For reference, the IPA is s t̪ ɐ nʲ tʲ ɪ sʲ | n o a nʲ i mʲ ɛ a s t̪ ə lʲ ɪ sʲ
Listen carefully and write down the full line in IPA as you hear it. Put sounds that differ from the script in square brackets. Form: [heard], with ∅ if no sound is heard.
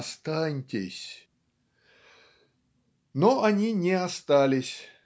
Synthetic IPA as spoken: s t̪ [a] nʲ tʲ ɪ sʲ | n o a nʲ i [nʲ] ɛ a s t̪ [a] lʲ ɪ sʲ